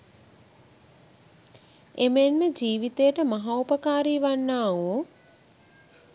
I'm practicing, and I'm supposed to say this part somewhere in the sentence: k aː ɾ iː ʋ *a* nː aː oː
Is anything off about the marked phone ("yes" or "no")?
no